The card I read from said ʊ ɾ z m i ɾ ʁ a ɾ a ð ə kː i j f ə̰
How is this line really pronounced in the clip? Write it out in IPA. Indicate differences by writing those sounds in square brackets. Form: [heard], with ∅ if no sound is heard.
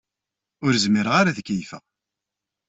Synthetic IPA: ʊ ɾ z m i ɾ ʁ a ɾ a ð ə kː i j f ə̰